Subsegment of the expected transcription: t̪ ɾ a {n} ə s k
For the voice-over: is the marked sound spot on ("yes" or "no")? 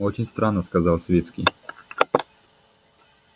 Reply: no